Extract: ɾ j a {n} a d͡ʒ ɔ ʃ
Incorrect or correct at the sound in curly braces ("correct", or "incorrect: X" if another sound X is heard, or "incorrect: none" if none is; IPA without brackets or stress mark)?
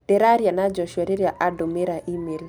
correct